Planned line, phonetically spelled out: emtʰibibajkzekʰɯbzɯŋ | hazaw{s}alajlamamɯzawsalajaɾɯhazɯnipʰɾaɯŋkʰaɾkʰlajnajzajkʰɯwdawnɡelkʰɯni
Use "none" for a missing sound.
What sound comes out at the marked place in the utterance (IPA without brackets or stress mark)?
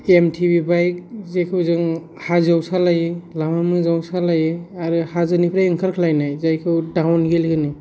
s